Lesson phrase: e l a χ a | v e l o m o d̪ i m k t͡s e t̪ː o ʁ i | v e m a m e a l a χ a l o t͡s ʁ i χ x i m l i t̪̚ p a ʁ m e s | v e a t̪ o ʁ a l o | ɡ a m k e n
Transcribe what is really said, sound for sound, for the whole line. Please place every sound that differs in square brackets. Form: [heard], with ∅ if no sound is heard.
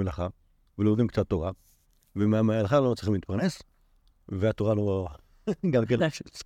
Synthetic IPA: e l a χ a | v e l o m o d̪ i m k t͡s [a] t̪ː o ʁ [a] | v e m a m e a l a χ a l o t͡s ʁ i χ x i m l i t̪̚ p a ʁ [n] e s | v e a t̪ o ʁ a l o | ɡ a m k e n